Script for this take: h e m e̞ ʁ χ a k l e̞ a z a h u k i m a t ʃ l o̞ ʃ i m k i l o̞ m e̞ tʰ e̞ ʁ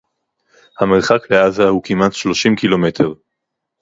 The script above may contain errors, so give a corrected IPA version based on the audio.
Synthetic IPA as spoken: h a m e̞ ʁ χ a k l e̞ a z a h u k i m a t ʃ l o̞ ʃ i m k i l o̞ m e̞ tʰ e̞ ʁ